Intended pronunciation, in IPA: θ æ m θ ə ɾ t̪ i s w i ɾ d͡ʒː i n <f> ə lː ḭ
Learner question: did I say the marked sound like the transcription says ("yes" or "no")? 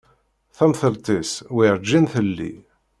no